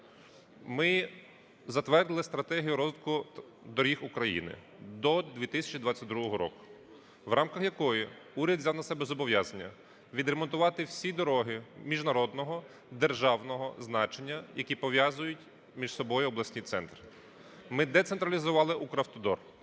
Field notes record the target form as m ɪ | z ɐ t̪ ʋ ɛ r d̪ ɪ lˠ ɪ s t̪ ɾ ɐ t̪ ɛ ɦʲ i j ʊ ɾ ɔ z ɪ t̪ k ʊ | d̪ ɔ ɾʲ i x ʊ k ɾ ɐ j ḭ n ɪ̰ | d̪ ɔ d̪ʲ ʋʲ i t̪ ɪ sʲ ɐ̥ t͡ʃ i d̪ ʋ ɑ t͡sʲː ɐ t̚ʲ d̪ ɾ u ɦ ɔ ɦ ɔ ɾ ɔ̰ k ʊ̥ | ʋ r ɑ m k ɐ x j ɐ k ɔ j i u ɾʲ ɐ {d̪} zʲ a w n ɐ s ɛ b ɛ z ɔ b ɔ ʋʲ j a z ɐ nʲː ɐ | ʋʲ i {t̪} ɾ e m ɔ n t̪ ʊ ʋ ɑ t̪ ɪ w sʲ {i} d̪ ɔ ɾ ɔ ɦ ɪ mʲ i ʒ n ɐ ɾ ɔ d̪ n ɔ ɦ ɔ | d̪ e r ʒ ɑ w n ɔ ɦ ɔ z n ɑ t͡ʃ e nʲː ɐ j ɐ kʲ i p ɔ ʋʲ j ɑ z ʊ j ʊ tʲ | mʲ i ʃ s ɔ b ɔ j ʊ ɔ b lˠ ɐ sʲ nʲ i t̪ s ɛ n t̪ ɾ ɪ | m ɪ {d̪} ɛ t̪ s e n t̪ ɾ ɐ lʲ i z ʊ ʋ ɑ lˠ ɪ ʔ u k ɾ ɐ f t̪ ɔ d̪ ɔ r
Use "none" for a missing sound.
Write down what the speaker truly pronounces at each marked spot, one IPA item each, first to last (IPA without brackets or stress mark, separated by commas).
d̪, d̪, i, d̪